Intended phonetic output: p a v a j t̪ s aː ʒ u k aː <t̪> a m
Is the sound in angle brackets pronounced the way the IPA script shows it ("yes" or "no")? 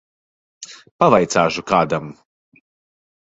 no